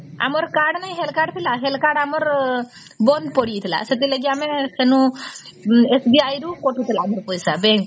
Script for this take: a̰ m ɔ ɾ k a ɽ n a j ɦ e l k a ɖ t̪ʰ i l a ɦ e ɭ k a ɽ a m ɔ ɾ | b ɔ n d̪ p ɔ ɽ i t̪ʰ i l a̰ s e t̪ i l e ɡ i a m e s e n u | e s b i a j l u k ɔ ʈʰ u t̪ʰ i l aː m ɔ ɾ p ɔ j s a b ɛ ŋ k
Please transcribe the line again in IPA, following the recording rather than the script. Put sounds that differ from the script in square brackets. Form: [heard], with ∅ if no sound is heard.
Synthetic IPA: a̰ m ɔ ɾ k a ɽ n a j ɦ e l k a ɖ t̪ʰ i l a ɦ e [l] k a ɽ a m ɔ ɾ | b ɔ n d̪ p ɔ ɽ i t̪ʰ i l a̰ s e t̪ i l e ɡ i a m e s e n u | e s b i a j [ɾ] u k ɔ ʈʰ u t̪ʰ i l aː m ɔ ɾ p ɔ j s a b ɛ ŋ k